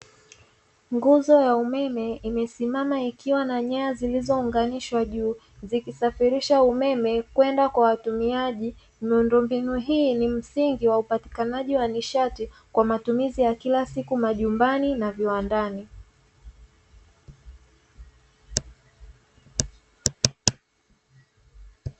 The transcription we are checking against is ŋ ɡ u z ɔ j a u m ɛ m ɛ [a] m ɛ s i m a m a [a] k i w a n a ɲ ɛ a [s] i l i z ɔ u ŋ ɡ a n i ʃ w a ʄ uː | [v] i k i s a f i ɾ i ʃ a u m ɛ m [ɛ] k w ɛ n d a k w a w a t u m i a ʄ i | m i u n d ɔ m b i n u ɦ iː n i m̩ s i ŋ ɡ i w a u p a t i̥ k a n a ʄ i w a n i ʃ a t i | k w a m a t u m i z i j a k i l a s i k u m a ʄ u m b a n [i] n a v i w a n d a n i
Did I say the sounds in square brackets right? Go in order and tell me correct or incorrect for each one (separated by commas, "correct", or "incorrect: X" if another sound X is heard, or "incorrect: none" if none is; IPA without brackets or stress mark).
incorrect: i, incorrect: i, incorrect: z, incorrect: z, correct, correct